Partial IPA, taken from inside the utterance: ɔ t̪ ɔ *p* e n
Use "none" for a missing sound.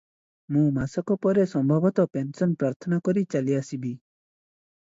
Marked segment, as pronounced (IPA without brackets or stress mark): p